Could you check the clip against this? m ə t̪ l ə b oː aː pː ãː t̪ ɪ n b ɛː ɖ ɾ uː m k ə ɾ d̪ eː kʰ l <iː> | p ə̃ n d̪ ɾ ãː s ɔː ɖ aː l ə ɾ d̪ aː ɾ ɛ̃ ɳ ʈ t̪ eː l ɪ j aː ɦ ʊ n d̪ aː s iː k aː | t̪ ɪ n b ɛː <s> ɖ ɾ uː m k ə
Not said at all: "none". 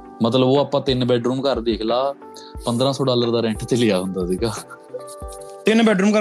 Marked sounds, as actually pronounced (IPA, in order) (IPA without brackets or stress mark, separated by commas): aː, none